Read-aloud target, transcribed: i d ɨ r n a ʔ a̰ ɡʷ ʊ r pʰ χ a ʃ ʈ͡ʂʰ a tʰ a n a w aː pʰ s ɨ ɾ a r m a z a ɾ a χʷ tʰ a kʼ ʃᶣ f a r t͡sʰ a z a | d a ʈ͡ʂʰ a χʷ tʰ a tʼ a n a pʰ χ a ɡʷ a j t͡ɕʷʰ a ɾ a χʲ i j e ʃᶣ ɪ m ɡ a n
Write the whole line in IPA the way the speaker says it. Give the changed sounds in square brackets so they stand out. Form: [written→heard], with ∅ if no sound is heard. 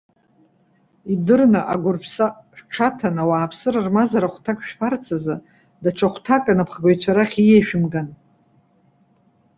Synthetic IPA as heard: i d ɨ r n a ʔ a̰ ɡʷ ʊ r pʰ [χ→s] a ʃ ʈ͡ʂʰ a tʰ a n a w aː pʰ s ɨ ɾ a r m a z a ɾ a χʷ tʰ a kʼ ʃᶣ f a r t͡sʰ a z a | d a ʈ͡ʂʰ a χʷ tʰ a [tʼ→kʼ] a n a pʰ χ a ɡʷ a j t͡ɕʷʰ a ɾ a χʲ i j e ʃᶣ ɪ m ɡ a n